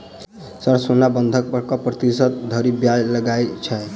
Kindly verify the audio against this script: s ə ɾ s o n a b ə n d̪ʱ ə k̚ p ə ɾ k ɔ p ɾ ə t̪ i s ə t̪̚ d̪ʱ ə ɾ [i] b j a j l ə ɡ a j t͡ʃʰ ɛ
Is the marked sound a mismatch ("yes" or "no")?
no